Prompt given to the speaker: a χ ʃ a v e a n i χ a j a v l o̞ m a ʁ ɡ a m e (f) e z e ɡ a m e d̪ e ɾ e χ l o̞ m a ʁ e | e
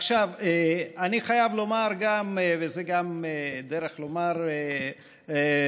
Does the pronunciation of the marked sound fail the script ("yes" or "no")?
yes